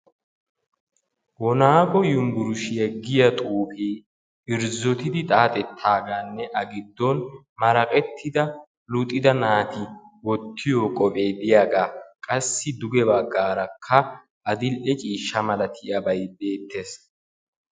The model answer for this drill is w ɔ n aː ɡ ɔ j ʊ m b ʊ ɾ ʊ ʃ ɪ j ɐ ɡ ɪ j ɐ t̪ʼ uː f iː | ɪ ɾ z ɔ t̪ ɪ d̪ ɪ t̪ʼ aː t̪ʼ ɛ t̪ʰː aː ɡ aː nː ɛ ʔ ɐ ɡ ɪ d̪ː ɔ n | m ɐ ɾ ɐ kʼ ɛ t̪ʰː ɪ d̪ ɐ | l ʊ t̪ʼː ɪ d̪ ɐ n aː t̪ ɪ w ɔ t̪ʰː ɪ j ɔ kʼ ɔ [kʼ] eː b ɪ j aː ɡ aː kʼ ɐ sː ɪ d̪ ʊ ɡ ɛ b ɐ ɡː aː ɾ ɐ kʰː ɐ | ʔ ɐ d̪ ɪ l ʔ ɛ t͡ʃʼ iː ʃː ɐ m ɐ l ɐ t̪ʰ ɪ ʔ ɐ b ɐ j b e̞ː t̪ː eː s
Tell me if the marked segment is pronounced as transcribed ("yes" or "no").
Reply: no